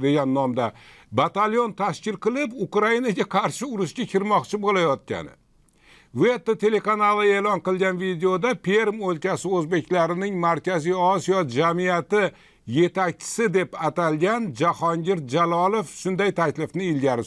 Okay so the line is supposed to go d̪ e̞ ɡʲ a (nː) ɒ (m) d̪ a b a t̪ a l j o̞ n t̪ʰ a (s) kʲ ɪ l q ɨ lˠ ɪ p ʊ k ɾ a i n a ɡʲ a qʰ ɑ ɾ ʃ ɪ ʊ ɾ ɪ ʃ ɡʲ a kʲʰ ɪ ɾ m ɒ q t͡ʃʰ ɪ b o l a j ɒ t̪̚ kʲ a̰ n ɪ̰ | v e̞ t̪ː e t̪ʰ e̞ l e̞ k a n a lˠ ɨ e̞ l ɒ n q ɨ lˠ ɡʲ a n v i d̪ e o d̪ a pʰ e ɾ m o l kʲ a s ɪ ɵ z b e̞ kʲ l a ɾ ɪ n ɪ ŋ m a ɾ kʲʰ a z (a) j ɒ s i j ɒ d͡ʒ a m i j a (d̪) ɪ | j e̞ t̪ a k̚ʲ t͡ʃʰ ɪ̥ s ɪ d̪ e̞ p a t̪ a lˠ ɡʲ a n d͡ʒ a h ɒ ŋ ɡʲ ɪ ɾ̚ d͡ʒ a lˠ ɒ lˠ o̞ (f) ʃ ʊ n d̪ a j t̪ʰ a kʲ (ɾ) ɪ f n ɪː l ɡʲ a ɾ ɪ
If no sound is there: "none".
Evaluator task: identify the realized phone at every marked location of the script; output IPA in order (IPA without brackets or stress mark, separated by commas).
nː, m, ʃ, i, t̪, f, l